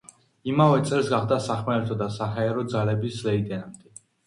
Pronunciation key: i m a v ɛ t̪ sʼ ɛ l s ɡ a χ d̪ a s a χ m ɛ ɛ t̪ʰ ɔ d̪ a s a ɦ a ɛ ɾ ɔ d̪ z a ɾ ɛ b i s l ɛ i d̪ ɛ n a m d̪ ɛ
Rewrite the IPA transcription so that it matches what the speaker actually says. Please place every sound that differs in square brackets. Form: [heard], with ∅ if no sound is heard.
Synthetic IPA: i m a v ɛ t̪ sʼ ɛ l s ɡ a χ d̪ a s a χ m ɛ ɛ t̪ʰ ɔ d̪ a s a ɦ a ɛ ɾ ɔ d̪ z a [l] ɛ b i s l ɛ i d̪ ɛ n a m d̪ ɛ